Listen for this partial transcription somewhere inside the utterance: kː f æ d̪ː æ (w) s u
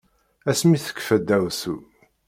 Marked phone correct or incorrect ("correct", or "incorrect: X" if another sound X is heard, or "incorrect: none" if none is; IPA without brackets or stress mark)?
correct